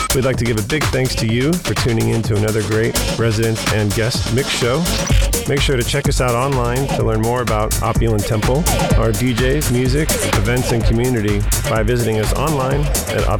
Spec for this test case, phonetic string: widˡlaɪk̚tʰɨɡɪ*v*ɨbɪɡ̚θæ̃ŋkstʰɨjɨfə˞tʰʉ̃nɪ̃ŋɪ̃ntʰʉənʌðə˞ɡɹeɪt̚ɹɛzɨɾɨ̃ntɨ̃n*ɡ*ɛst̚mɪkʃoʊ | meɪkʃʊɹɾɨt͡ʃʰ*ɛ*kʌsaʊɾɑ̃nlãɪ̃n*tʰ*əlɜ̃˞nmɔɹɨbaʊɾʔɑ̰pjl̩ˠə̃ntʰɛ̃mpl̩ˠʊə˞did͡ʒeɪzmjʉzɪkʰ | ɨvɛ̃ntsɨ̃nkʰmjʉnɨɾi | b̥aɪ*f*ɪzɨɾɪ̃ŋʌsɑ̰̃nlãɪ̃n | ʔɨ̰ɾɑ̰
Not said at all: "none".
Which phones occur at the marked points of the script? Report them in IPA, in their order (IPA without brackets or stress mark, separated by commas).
v, ɡ, ɛ, tʰ, v